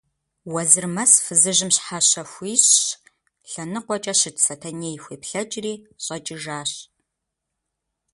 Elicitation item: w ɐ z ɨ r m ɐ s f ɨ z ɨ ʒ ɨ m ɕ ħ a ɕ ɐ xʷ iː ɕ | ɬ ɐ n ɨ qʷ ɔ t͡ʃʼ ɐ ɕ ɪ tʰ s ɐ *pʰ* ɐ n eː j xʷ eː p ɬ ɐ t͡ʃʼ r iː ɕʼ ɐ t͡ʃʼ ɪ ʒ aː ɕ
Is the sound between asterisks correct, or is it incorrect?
incorrect